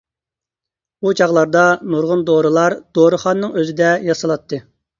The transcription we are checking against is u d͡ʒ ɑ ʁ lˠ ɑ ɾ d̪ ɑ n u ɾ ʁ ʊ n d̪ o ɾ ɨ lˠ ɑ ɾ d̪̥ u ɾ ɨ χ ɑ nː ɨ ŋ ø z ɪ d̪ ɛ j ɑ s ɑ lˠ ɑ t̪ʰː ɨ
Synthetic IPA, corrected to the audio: u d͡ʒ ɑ ʁ lˠ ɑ ɾ d̪ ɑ n u ɾ ʁ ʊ n d̪ o ɾ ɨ lˠ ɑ ɾ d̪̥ o ɾ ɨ χ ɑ nː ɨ ŋ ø z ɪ d̪ ɛ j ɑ s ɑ lˠ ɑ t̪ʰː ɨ